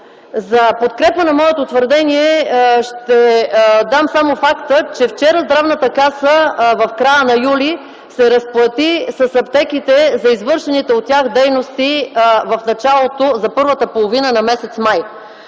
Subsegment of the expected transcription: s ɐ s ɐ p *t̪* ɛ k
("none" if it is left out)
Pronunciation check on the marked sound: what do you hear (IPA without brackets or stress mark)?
t̪